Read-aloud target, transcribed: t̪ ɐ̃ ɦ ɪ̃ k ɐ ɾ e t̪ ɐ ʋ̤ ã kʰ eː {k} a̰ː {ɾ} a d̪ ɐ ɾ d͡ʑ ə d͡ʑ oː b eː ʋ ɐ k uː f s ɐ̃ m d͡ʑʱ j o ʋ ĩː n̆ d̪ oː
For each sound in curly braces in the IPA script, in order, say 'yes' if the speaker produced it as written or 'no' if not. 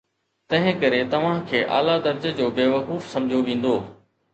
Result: no, no

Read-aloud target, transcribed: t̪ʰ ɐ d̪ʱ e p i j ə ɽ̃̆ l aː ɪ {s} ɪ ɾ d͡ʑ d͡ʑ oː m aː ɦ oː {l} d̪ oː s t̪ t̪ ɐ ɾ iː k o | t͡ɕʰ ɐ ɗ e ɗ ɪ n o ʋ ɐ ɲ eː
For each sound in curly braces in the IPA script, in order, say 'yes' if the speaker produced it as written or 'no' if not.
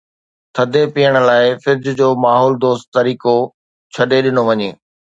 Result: no, yes

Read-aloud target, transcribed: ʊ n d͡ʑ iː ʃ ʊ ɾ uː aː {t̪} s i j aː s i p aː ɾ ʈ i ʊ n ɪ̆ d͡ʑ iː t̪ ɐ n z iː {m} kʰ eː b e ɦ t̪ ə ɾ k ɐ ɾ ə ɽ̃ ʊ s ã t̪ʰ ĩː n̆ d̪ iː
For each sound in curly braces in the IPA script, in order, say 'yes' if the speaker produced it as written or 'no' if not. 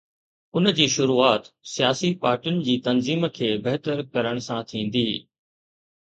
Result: yes, yes

